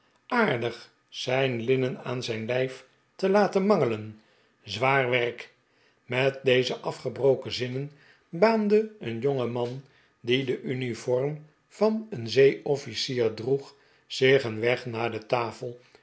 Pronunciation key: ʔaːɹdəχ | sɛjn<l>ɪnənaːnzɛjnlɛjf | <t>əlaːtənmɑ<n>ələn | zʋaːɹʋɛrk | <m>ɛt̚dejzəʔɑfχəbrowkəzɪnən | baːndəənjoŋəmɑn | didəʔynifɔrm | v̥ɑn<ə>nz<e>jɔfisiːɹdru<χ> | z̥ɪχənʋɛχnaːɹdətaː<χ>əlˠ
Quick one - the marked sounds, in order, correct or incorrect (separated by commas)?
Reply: correct, correct, incorrect, correct, correct, correct, correct, incorrect